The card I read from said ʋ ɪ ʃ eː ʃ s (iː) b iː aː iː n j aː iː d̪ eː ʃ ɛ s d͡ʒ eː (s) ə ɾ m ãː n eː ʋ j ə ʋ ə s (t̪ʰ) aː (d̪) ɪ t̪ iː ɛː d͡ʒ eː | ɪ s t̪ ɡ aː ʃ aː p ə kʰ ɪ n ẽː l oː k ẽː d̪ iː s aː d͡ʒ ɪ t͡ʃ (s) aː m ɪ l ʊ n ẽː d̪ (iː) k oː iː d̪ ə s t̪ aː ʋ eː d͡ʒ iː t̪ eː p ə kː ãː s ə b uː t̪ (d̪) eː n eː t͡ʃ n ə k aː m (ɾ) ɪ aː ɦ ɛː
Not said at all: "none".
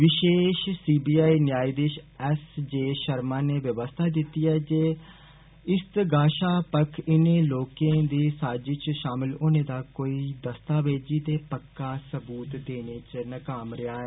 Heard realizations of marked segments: iː, ʃ, t̪ʰ, d̪, ʃ, aː, d̪, ɾ

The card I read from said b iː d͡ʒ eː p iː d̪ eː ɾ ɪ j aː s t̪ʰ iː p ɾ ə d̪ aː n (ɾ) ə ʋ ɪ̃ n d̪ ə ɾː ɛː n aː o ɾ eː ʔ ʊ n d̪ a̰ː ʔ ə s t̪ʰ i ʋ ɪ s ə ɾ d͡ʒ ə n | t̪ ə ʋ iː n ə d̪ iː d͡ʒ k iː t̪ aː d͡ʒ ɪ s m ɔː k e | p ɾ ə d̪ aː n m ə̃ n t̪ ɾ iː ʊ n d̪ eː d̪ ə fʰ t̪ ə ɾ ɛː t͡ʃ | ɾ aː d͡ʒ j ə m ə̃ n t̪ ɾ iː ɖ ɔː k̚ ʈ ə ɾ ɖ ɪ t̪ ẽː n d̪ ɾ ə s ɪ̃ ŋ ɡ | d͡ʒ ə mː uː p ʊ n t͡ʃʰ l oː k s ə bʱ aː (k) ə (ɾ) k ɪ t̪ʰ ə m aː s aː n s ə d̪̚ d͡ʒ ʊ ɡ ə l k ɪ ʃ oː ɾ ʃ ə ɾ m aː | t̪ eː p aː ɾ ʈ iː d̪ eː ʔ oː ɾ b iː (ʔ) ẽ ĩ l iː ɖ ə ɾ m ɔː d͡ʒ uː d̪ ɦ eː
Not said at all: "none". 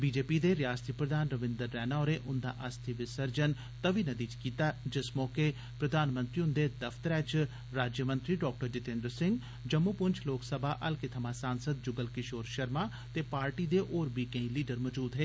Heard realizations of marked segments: ɾ, ʔ, l, k

